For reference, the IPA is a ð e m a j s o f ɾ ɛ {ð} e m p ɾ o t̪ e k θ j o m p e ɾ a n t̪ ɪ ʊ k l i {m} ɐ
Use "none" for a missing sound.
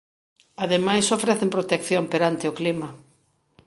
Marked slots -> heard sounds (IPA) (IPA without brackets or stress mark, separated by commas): θ, m